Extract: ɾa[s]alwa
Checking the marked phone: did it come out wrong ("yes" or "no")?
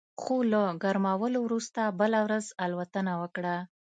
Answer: yes